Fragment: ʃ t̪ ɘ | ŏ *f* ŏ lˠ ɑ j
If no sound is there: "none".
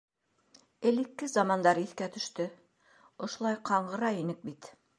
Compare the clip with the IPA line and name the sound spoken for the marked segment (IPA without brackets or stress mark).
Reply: ʃ